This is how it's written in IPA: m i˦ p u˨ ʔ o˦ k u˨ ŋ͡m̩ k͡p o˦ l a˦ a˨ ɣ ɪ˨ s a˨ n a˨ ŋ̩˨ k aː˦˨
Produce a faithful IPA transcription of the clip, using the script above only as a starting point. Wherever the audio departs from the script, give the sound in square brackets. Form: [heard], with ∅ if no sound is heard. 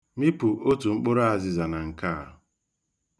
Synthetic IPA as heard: m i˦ p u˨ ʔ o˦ [t] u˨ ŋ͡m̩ k͡p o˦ [ɾ] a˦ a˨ [z] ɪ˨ [z] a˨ n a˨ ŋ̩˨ k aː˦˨